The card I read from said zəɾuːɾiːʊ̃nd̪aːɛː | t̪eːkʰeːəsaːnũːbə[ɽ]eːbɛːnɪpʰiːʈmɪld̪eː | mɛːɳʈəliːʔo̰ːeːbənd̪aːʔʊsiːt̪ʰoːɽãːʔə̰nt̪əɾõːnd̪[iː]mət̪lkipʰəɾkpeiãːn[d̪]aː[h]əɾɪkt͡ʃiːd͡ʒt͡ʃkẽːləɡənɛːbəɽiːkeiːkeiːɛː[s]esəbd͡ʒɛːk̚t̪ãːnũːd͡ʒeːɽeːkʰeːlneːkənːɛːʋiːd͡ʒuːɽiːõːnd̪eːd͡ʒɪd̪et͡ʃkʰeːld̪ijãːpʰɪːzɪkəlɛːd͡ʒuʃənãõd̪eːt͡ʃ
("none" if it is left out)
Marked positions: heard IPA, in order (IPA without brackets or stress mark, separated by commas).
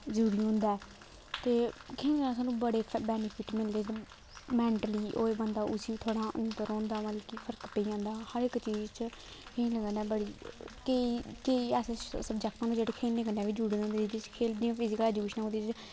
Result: ɽ, aː, d̪, h, s